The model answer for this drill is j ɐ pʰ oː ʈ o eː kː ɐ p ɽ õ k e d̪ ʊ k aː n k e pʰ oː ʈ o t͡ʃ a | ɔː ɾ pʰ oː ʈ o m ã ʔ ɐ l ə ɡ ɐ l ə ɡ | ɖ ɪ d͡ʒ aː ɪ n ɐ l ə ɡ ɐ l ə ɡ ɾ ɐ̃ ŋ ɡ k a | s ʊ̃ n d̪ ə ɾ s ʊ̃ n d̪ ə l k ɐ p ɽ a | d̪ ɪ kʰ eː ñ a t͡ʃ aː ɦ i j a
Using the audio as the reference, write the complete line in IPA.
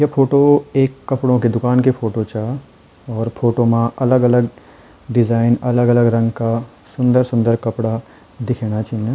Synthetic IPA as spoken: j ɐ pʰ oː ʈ o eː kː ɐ p ɽ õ k e d̪ ʊ k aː n k e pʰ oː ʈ o t͡ʃ a | ɔː ɾ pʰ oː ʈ o m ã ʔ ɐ l ə ɡ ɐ l ə ɡ | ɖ ɪ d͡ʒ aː ɪ n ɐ l ə ɡ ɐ l ə ɡ ɾ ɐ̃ ŋ ɡ k a | s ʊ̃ n d̪ ə ɾ s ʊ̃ n d̪ ə ɾ k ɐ p ɽ a | d̪ ɪ kʰ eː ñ a t͡ʃ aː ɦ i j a